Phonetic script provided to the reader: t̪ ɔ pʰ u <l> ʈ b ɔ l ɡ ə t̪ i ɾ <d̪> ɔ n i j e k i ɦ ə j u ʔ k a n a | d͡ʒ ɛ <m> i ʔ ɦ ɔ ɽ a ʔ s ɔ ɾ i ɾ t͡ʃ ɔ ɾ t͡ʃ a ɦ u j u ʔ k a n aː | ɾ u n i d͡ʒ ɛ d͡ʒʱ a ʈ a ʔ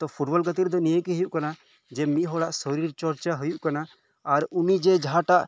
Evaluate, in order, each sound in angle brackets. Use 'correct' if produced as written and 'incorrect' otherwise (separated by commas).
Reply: incorrect, correct, correct